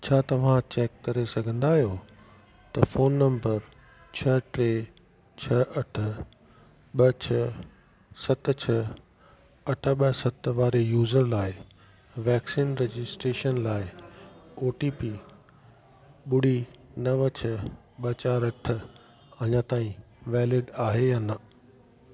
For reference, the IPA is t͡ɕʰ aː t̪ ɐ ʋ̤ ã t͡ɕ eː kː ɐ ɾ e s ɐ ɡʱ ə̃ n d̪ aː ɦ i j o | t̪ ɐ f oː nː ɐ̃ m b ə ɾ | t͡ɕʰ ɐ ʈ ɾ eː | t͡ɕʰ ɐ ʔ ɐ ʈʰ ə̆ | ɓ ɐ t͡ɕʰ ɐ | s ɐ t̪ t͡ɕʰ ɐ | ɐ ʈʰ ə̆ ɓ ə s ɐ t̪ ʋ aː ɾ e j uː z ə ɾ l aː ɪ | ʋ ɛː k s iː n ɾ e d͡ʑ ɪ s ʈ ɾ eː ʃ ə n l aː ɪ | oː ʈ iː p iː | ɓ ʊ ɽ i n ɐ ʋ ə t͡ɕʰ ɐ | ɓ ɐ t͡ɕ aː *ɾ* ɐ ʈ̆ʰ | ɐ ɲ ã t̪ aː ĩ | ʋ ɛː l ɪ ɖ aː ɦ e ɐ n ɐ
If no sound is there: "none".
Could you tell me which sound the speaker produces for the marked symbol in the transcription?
ɾ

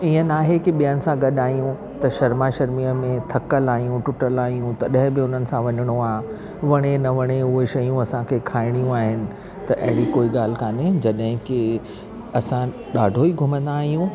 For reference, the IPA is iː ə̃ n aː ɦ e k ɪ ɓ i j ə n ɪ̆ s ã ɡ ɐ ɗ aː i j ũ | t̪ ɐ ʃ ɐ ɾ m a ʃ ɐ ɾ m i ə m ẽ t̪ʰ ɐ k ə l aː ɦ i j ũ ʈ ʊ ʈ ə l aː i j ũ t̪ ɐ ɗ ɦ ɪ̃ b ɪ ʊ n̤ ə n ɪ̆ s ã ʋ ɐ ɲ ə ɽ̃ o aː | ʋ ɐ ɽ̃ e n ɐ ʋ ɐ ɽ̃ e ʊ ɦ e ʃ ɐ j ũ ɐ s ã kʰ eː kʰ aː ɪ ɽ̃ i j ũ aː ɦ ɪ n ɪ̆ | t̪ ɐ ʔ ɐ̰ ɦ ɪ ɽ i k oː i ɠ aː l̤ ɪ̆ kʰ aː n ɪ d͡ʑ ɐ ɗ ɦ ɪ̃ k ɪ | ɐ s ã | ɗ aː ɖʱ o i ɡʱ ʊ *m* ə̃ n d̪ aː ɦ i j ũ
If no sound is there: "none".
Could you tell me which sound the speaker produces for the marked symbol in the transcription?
m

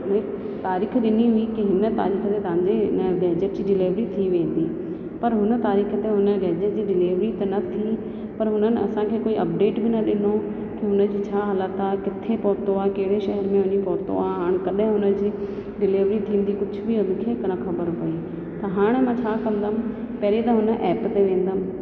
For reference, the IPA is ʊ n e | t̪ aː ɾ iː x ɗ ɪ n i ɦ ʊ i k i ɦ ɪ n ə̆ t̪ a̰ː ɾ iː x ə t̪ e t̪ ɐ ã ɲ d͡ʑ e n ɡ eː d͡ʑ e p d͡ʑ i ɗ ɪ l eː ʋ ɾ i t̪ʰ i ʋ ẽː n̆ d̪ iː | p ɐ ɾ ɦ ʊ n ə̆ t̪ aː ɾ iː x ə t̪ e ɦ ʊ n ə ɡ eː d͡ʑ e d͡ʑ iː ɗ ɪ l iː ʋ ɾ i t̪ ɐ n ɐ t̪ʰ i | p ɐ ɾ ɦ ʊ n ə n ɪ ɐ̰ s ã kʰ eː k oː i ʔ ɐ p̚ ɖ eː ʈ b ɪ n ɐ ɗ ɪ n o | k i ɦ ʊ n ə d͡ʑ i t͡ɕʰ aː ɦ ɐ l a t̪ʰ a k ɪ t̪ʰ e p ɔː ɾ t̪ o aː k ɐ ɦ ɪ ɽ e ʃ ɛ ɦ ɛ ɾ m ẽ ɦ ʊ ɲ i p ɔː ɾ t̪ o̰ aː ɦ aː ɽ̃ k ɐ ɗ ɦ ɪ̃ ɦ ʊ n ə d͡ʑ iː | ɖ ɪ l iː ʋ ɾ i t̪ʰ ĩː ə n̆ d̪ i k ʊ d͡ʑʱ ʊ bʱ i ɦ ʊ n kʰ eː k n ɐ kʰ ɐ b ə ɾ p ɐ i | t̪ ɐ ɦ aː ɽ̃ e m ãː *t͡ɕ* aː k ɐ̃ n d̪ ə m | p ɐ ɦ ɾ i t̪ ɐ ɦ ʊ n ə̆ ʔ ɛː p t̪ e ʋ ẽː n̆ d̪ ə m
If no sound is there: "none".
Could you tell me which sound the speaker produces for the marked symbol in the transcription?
t͡ɕʰ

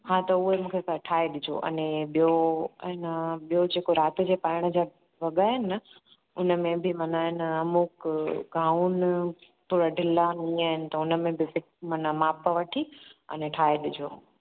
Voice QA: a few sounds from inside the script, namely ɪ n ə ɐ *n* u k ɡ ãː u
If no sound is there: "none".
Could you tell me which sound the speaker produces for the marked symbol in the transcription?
m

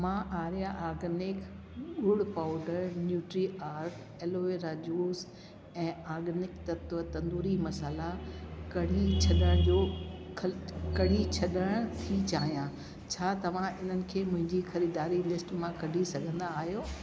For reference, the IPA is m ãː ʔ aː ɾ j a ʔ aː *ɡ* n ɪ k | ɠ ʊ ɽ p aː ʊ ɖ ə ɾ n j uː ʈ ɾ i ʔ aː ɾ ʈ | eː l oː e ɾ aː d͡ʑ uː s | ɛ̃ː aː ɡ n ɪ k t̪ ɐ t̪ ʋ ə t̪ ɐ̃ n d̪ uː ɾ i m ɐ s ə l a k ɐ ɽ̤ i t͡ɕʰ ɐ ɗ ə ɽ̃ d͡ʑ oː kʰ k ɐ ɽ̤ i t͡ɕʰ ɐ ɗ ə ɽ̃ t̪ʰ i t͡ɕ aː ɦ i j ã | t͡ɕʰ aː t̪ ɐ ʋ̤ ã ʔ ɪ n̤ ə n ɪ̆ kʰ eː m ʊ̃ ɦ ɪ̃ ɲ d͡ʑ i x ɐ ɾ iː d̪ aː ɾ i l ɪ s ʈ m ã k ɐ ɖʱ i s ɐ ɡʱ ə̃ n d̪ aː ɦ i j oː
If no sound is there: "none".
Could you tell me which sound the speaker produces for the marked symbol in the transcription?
ɡ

